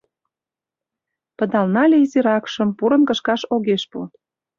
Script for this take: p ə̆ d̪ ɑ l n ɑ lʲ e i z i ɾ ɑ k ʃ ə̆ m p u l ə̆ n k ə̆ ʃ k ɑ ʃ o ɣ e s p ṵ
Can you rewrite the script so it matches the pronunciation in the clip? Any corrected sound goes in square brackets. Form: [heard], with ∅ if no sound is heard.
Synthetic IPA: p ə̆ d̪ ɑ l n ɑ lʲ e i z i ɾ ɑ k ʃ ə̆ m p u [ɾ] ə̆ n k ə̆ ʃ k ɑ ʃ o ɣ e [ʃ] p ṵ